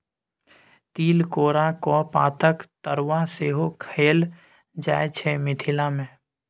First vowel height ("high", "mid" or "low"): high